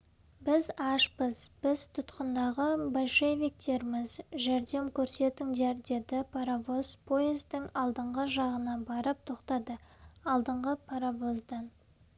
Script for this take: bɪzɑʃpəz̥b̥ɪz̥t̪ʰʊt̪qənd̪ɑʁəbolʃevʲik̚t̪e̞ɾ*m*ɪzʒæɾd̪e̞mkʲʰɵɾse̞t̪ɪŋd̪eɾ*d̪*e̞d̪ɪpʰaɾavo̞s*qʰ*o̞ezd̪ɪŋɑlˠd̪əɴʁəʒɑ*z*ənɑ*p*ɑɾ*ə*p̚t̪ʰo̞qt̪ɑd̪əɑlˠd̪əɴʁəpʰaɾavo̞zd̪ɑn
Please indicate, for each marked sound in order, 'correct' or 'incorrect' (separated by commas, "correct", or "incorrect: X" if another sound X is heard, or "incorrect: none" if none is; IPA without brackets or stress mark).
correct, correct, incorrect: pʰ, incorrect: ʁ, incorrect: b, correct